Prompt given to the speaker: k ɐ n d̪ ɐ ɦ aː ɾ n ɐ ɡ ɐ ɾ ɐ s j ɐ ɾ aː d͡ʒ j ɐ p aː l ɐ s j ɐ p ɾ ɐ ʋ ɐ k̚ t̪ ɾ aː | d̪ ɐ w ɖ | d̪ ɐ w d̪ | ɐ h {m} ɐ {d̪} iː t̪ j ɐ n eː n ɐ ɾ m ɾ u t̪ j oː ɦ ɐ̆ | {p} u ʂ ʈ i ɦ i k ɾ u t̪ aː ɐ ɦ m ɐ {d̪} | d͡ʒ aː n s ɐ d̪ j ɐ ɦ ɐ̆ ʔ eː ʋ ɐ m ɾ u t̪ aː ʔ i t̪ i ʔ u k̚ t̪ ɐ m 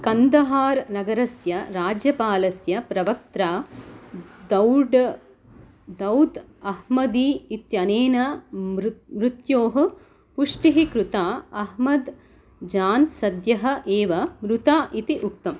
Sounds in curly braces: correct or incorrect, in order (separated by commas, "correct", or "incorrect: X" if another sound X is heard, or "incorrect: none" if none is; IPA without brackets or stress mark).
correct, correct, correct, correct